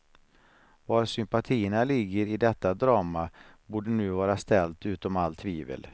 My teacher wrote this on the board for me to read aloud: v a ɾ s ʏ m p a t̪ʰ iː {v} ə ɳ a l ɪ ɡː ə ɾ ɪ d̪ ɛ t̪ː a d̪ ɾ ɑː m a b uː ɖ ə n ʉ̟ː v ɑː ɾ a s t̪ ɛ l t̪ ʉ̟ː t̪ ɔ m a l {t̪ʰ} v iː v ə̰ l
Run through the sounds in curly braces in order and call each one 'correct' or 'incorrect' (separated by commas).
incorrect, correct